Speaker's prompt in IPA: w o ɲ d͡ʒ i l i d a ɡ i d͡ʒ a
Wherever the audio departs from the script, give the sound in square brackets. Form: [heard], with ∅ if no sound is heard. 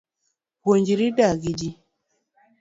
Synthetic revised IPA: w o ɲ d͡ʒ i [ɾ] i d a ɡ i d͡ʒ [i]